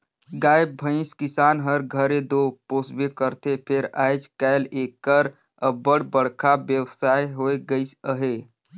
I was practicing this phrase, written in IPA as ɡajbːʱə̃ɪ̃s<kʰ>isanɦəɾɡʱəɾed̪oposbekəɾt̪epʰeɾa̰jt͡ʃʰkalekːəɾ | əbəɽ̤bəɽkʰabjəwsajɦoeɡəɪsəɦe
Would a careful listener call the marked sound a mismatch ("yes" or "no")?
yes